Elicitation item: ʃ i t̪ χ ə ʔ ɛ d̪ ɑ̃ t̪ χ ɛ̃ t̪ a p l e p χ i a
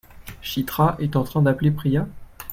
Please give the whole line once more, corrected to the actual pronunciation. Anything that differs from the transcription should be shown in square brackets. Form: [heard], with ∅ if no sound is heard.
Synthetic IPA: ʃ i t̪ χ [a] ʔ ɛ [t̪] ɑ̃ t̪ χ ɛ̃ [d̪] a p l e p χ i a